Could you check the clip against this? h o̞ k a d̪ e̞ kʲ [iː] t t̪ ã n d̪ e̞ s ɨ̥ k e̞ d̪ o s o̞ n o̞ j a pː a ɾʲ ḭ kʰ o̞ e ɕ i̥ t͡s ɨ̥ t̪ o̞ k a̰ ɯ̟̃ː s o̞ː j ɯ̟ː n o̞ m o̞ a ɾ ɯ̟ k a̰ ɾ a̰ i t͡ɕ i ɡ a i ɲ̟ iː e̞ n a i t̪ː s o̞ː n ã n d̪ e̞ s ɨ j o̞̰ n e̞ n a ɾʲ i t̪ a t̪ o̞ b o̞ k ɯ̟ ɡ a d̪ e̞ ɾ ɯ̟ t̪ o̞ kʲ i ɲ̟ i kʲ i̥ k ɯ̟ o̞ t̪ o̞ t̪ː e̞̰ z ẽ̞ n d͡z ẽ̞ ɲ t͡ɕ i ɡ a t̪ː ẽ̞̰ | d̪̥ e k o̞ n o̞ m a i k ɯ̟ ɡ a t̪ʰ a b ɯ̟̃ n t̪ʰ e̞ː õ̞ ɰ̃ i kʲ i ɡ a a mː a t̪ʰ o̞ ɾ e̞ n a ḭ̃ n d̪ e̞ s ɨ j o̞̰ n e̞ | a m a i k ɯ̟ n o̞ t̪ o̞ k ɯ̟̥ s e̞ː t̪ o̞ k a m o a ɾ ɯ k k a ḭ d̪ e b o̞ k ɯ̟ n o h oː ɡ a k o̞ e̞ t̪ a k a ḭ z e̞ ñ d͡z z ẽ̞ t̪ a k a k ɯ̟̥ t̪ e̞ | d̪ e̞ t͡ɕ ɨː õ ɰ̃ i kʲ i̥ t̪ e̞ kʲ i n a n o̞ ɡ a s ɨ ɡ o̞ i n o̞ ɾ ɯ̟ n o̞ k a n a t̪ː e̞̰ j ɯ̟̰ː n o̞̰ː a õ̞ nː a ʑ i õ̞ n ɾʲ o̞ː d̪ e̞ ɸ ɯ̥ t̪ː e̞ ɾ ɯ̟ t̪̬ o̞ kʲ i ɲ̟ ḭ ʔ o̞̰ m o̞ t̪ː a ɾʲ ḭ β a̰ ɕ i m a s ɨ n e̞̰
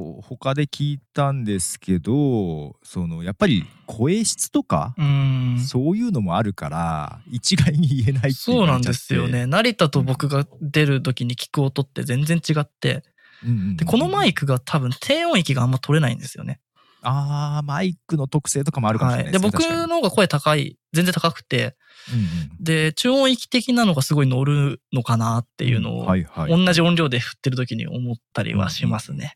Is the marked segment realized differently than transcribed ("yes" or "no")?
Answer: no